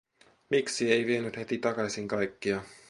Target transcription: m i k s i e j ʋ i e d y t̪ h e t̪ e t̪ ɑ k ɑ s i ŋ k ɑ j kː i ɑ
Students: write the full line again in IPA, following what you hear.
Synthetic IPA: m i k s i e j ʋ i e n y t̪ h e t̪ i t̪ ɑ k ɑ s i ŋ k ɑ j kː i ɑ